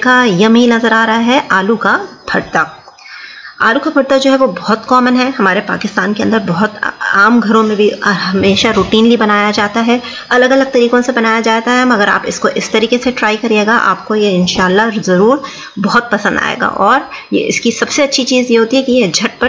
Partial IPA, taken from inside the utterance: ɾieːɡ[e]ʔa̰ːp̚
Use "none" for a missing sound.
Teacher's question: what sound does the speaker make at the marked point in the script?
a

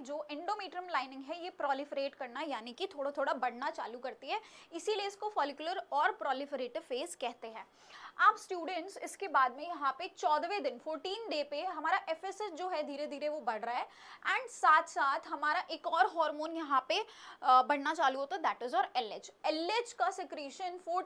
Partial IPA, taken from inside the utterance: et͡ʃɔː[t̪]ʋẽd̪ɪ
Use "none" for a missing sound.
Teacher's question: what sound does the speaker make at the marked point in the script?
d̪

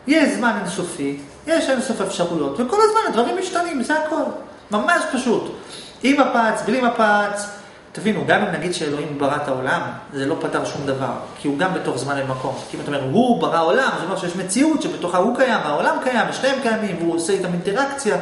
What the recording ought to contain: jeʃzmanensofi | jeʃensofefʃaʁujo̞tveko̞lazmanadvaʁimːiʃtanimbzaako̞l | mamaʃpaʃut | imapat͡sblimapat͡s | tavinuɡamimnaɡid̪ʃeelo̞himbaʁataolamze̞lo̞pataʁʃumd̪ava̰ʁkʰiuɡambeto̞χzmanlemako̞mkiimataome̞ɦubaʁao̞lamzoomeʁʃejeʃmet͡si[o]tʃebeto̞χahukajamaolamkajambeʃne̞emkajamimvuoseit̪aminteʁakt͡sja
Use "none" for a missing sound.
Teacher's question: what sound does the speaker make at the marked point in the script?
u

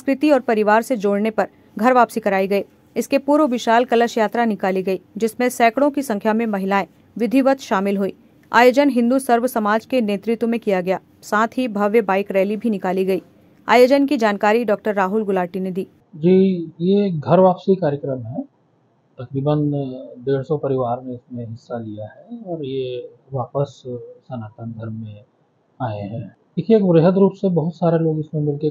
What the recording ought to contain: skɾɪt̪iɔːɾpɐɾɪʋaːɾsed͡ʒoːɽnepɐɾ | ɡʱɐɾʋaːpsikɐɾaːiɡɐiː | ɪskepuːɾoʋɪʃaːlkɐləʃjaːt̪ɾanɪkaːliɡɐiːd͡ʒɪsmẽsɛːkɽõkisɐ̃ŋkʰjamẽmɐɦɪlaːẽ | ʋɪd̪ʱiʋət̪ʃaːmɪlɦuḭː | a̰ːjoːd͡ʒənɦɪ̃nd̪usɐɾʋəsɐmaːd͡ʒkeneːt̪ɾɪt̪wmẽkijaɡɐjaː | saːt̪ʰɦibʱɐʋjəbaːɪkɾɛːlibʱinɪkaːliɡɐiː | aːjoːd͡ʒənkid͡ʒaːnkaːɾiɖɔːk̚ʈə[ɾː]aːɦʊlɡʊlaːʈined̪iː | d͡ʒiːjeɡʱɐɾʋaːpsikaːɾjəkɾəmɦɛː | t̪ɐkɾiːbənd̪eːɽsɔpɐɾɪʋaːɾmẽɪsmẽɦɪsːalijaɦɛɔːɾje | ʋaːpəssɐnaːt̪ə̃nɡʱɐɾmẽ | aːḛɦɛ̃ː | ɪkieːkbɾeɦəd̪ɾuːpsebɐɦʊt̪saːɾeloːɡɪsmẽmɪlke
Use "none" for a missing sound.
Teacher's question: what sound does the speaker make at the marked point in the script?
ɾː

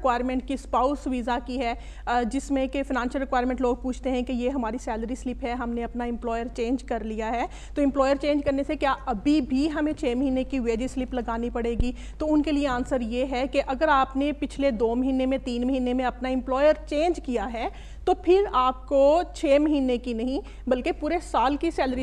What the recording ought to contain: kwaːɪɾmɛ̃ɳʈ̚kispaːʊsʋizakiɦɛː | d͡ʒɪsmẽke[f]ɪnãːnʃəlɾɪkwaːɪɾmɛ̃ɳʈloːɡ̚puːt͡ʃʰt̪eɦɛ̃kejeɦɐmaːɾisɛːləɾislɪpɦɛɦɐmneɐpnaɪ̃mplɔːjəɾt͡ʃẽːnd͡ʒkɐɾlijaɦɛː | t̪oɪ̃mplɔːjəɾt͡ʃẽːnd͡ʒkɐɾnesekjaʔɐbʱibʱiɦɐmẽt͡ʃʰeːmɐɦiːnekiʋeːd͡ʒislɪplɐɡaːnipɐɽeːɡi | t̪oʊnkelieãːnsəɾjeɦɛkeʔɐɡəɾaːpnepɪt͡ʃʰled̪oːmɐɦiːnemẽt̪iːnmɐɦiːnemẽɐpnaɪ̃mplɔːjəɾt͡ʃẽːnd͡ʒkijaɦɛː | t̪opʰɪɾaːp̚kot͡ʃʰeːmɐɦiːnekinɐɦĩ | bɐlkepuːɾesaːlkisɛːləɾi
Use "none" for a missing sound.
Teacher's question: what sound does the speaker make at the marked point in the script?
f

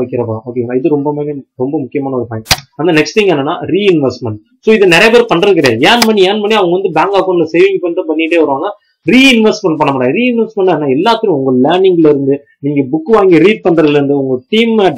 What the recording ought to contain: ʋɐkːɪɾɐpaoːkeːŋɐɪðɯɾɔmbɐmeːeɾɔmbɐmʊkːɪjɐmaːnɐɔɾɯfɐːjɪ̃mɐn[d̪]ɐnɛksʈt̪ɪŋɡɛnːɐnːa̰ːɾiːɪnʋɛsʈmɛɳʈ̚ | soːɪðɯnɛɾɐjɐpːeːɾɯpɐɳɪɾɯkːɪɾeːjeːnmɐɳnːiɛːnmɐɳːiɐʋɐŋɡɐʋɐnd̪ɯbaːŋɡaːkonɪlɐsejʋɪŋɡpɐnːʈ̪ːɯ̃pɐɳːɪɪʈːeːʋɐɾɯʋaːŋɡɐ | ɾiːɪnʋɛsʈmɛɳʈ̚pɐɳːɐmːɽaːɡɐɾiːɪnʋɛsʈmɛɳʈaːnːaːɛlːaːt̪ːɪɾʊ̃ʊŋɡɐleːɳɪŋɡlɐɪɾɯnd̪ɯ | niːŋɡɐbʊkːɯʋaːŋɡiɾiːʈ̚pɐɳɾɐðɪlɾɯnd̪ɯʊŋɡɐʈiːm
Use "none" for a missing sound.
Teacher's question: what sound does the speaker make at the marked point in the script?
d̪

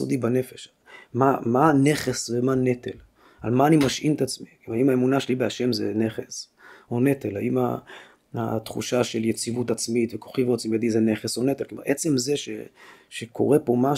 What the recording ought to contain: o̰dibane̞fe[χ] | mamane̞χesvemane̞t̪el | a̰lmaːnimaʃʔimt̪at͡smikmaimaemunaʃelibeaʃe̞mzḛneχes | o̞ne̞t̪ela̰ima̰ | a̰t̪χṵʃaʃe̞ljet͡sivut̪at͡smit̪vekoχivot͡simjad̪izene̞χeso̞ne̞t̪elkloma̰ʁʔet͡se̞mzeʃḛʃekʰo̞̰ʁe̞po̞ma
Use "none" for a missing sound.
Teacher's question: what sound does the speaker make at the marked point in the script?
ʃ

